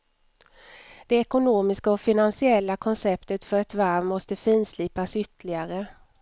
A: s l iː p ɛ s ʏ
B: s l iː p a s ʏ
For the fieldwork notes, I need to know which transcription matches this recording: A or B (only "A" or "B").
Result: B